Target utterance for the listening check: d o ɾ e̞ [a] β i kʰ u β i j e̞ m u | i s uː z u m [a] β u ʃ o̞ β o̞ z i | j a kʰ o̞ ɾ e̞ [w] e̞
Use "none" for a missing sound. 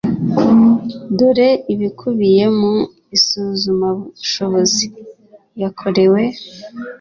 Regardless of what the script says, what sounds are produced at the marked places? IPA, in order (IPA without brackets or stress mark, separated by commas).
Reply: i, a, w